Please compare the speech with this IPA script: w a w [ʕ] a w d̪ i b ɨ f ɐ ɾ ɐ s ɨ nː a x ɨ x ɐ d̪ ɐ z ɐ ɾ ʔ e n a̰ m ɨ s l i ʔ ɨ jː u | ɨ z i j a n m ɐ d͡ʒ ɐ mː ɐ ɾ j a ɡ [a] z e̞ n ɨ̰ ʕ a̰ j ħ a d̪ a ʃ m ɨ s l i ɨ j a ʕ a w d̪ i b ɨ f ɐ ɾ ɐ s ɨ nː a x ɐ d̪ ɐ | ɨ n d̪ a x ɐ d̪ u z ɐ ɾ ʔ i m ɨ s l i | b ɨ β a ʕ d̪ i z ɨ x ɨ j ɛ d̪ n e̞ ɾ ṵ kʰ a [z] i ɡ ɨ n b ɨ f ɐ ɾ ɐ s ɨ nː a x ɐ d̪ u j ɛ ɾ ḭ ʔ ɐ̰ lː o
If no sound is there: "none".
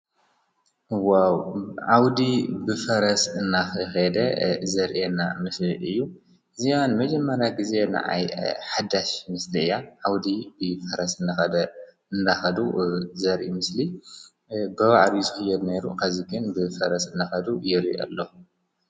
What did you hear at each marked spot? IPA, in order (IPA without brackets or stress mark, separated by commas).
ʕ, i, z